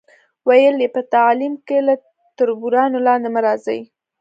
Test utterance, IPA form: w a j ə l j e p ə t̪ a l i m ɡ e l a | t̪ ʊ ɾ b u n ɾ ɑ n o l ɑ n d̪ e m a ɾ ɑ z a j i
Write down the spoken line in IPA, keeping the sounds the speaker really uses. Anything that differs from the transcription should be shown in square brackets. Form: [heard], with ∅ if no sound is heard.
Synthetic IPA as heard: w a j ə l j e p ə t̪ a l i m [k] e l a | t̪ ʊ ɾ b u [∅] ɾ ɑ n o l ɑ n d̪ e m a ɾ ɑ z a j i